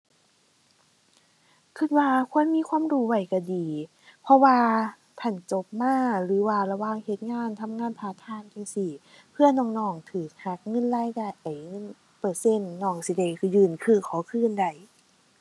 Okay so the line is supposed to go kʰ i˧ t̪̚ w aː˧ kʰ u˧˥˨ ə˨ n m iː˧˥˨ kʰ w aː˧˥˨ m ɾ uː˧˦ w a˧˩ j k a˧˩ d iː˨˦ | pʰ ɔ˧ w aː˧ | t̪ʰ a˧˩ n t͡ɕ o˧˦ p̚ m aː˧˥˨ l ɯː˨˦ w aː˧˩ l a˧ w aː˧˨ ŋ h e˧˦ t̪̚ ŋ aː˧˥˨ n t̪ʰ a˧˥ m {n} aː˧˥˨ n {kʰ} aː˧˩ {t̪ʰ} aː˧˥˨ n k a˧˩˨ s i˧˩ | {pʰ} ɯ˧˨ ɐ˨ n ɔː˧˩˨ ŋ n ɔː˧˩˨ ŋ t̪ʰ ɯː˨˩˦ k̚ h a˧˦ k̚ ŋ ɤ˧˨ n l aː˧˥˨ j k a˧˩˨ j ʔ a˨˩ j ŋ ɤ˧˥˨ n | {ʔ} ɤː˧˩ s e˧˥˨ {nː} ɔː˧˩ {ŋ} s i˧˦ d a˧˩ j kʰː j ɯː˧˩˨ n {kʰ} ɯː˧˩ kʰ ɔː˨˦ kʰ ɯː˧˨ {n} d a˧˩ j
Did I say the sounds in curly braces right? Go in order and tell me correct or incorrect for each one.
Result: incorrect: ŋ, incorrect: pʰ, correct, correct, incorrect: p, correct, correct, correct, correct

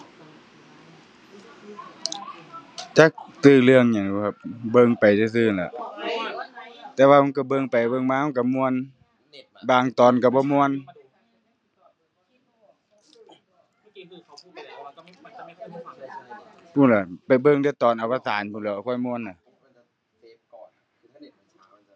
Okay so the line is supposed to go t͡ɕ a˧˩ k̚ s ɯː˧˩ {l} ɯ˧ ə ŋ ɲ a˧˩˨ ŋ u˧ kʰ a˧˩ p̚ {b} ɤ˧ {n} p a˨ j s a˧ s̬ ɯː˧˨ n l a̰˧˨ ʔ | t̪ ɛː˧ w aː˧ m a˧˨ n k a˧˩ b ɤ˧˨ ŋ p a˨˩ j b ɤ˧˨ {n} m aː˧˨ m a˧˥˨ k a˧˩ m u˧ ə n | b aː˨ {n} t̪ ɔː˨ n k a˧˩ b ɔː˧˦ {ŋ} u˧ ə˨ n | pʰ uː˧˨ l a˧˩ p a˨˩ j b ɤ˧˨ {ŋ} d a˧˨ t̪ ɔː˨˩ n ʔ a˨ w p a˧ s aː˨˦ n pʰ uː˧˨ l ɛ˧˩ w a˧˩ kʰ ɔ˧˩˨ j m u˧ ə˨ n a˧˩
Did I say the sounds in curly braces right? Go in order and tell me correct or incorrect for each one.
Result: correct, correct, incorrect: ŋ, incorrect: ŋ, incorrect: ŋ, incorrect: m, correct

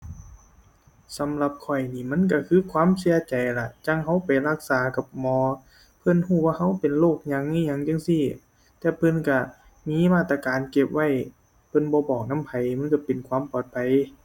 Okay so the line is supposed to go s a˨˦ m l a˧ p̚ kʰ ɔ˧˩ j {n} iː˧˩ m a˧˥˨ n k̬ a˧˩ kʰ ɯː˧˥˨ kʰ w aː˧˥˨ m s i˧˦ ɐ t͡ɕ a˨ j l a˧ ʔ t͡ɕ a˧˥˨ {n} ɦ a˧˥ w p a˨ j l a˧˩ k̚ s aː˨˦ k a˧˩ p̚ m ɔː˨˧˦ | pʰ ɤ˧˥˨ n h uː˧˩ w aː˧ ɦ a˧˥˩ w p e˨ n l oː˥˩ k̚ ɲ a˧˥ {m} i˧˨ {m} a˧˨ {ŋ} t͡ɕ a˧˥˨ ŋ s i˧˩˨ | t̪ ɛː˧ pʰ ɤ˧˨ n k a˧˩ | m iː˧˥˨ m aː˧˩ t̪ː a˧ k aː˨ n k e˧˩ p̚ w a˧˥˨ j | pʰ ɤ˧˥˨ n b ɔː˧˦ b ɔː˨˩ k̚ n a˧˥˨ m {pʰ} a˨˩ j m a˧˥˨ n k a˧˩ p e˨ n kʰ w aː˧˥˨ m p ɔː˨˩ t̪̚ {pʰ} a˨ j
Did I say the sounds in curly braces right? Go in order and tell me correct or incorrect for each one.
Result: correct, incorrect: ŋ, incorrect: ŋ, incorrect: ɲ, correct, correct, correct

